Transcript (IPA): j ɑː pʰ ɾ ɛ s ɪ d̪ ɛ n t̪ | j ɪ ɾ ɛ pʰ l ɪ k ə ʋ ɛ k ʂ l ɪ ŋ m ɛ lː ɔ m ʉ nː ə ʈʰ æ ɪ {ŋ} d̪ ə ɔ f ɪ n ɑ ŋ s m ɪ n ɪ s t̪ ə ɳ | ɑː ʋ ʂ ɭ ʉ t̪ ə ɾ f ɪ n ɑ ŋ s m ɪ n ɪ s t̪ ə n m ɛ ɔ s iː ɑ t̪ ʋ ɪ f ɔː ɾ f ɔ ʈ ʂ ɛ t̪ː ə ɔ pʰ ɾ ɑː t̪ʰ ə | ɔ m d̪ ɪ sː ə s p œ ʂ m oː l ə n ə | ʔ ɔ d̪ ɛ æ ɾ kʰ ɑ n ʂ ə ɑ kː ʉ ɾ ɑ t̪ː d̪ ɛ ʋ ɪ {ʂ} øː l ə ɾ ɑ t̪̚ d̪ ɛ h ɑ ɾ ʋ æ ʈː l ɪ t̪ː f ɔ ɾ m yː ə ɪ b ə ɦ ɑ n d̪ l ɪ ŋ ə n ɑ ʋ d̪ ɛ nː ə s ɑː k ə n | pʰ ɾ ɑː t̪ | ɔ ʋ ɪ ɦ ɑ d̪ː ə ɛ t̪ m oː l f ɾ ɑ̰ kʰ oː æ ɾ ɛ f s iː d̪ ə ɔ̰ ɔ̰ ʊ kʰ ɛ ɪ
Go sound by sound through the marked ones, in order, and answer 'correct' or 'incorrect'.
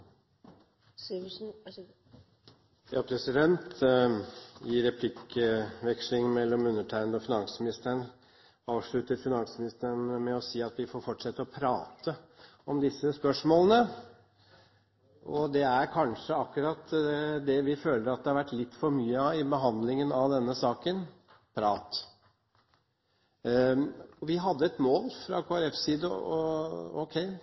incorrect, incorrect

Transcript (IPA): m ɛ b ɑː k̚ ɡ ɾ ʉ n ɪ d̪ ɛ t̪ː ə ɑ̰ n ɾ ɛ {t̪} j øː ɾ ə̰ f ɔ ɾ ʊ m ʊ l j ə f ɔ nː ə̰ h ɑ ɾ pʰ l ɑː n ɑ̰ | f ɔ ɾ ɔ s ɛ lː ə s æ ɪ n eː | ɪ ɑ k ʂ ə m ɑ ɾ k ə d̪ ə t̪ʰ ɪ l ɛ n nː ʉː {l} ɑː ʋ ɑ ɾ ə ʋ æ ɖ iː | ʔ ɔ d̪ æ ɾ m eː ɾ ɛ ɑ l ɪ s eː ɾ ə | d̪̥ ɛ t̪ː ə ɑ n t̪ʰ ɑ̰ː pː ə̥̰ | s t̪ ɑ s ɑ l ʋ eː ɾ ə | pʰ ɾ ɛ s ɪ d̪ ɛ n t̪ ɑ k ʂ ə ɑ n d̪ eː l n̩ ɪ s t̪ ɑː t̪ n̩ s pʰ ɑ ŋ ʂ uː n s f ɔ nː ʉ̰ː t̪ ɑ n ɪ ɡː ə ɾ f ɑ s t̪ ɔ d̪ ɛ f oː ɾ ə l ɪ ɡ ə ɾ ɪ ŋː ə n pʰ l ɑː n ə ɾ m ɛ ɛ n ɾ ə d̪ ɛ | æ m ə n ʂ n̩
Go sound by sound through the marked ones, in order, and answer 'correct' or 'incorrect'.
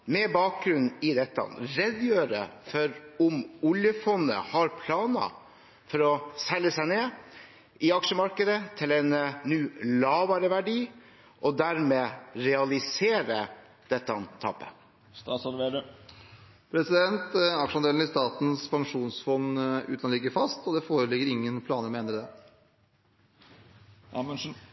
incorrect, correct

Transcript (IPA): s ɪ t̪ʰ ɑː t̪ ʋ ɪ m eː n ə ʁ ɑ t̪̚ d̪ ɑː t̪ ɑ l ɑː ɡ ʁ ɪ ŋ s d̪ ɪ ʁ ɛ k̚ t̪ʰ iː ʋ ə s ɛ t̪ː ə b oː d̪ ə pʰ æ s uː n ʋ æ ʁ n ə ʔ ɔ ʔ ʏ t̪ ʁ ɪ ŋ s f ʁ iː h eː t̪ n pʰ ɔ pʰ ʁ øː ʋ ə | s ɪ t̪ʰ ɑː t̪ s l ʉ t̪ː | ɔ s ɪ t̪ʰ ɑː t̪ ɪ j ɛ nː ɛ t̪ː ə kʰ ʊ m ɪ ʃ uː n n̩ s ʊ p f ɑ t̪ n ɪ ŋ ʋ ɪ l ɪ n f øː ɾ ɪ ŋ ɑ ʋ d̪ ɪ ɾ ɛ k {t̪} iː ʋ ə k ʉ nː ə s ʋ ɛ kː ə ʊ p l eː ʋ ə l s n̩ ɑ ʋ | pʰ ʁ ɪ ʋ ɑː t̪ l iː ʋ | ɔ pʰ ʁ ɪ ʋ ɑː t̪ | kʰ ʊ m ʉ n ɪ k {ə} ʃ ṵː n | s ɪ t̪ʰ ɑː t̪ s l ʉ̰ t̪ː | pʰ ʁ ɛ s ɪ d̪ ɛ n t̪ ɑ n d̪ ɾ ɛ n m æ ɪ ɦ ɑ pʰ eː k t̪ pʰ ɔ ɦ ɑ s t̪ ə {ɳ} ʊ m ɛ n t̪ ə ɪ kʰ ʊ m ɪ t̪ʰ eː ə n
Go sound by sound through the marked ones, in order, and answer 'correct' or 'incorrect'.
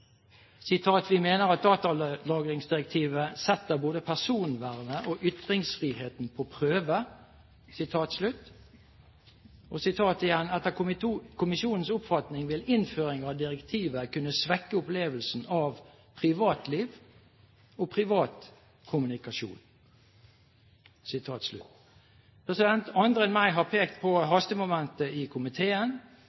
incorrect, incorrect, incorrect

